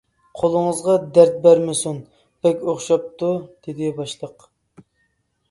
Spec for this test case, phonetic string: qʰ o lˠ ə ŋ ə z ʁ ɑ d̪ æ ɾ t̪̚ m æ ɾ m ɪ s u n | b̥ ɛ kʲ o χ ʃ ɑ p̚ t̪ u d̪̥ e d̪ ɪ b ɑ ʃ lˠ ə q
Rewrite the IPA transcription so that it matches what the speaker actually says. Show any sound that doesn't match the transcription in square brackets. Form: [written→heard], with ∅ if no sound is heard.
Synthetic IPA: qʰ o lˠ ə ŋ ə z ʁ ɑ d̪ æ ɾ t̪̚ [m→b] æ ɾ m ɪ s u n | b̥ ɛ kʲ o χ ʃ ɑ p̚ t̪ u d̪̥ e d̪ ɪ b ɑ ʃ lˠ ə q